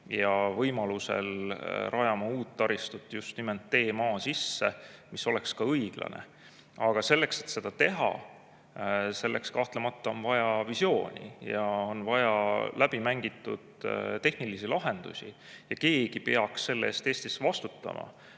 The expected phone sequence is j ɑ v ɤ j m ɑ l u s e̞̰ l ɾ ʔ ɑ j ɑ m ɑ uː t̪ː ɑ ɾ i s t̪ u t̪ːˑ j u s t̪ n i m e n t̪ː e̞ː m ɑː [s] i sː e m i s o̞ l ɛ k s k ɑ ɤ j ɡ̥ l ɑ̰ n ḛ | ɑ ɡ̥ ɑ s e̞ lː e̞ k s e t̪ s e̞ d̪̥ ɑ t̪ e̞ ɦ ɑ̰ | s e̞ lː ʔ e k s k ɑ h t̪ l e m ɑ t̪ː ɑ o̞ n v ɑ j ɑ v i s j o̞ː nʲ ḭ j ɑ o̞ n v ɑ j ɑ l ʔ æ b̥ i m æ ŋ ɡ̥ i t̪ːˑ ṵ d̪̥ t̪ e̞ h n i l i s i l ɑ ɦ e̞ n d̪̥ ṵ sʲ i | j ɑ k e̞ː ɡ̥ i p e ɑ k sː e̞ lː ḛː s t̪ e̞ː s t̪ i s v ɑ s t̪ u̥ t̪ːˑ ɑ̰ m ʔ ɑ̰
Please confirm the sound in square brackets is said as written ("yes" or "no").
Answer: yes